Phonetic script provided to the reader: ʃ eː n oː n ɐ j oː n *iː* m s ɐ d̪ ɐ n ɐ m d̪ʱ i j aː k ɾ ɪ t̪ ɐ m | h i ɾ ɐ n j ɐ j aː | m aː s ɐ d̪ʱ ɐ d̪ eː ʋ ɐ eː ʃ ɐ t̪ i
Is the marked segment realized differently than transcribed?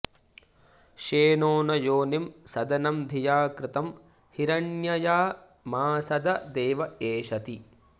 yes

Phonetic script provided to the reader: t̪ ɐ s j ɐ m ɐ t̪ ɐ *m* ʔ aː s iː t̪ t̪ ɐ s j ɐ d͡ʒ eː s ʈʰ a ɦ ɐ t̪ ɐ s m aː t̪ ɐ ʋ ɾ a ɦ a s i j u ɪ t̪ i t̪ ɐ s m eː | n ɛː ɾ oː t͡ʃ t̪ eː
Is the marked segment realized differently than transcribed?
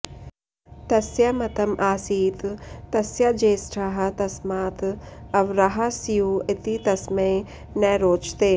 no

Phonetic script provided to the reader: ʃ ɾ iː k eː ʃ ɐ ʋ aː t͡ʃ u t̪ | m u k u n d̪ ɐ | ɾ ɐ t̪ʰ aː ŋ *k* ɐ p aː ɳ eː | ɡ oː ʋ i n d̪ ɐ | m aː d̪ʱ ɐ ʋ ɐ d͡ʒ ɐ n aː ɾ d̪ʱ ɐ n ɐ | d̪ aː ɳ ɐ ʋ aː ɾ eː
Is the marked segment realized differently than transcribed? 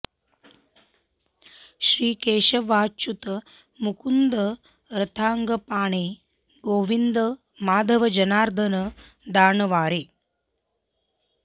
yes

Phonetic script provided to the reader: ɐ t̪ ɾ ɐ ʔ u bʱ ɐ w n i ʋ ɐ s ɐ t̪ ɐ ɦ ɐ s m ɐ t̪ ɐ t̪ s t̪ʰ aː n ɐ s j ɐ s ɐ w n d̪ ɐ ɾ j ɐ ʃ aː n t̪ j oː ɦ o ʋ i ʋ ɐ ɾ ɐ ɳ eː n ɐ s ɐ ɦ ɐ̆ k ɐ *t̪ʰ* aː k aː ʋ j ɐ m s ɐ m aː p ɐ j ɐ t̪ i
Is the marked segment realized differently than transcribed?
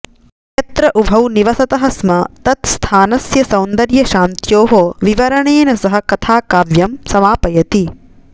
no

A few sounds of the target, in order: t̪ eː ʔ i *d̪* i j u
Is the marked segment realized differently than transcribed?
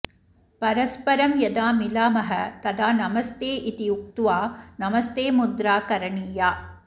yes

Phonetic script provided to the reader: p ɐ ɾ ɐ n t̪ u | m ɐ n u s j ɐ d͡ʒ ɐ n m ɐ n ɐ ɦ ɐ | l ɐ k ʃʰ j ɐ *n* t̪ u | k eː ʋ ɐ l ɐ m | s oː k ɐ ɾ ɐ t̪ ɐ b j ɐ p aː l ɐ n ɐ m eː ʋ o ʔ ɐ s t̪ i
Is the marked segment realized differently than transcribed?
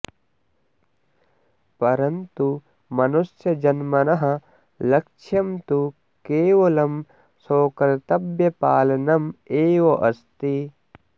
yes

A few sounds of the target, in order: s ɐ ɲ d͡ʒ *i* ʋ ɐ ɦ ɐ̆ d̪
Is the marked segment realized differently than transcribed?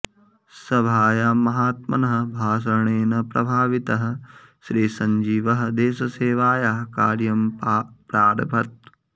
yes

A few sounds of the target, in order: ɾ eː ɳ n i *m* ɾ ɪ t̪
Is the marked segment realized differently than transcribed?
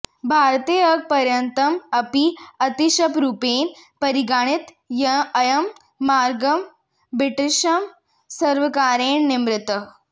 no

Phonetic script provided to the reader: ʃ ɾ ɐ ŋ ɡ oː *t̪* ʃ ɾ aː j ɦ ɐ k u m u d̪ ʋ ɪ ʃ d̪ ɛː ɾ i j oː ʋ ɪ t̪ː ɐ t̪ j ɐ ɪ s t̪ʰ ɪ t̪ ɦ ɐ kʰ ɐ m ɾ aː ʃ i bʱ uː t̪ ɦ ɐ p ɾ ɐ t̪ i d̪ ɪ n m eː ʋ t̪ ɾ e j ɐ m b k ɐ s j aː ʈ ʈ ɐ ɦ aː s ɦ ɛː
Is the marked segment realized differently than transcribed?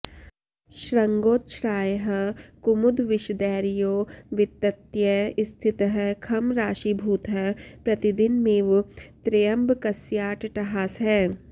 no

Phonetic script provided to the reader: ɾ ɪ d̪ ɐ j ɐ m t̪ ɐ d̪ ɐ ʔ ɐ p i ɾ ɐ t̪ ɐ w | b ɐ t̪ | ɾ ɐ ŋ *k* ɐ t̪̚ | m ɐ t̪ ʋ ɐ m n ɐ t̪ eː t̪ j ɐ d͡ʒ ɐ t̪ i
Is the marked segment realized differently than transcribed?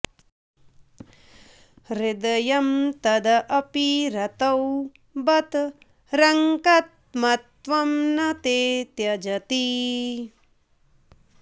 no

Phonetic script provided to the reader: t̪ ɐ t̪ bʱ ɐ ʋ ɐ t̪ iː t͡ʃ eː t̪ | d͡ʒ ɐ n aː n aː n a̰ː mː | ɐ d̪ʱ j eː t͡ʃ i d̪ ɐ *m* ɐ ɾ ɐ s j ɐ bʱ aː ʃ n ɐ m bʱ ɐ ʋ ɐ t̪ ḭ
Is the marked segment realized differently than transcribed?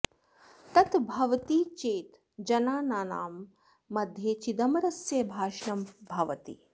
no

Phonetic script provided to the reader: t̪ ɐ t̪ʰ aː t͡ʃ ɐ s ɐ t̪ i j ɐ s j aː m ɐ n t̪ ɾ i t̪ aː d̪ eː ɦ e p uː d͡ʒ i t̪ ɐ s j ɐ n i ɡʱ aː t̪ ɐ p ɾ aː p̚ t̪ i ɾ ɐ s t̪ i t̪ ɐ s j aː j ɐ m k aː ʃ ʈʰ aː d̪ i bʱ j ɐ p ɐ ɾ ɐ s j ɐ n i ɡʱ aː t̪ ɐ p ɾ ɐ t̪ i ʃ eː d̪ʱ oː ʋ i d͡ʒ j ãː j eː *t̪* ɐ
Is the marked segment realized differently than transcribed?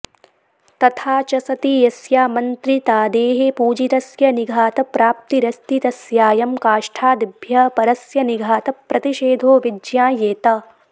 no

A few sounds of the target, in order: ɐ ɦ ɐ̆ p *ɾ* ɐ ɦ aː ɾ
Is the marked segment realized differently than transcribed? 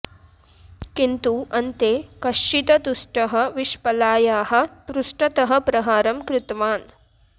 no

